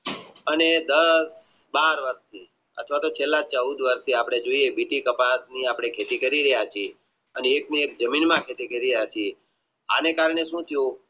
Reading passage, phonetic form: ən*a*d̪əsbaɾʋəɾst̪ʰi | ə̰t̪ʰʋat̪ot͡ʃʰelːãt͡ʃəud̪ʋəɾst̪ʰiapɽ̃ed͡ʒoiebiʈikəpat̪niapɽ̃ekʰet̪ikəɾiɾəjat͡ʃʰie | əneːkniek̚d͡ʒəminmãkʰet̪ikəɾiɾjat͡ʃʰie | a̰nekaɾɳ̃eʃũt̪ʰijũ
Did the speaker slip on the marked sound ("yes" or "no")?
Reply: yes